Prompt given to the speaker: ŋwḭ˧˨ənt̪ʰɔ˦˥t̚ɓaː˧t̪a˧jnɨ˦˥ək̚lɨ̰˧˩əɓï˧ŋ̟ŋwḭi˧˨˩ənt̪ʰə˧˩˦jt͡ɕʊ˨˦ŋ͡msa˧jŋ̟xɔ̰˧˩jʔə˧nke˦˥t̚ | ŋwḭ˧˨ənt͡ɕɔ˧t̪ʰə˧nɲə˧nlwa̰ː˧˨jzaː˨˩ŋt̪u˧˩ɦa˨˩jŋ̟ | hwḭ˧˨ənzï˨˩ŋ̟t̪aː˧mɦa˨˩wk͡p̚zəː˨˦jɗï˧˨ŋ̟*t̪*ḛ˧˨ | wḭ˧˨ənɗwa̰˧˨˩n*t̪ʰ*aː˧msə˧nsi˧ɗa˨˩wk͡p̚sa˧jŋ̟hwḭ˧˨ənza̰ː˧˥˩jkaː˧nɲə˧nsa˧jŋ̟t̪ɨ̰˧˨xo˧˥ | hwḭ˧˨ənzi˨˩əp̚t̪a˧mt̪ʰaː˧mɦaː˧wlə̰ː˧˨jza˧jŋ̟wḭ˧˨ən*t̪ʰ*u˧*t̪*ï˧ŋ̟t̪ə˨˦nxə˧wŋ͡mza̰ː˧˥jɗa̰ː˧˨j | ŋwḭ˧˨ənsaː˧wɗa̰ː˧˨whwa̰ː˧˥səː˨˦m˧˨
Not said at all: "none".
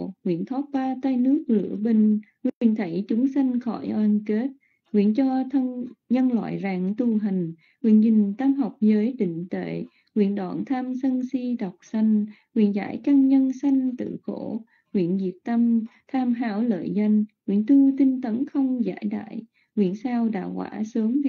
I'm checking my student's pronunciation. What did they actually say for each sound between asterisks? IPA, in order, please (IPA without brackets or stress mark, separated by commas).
t̪, t̪ʰ, t̪, t̪